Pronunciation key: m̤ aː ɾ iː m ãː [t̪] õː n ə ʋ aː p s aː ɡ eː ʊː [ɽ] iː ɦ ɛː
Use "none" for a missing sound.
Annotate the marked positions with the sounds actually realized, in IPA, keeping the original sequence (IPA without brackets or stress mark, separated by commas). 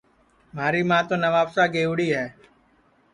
t̪, ɽ